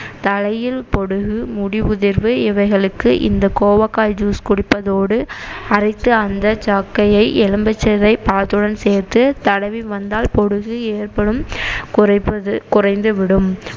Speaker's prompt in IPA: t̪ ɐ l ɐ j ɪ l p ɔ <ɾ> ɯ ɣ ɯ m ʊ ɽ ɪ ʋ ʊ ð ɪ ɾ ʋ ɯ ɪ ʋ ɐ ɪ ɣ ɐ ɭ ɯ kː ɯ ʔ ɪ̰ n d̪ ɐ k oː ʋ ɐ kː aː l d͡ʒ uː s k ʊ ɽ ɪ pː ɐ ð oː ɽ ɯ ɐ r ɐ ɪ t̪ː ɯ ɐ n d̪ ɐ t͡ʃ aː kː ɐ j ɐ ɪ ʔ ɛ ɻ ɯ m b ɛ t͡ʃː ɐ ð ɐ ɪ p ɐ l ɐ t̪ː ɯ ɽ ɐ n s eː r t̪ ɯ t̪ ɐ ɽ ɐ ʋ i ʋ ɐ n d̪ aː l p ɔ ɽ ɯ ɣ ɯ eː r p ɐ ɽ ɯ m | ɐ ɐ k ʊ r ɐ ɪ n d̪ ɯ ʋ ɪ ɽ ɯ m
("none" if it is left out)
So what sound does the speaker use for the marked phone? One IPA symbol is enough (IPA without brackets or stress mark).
ɽ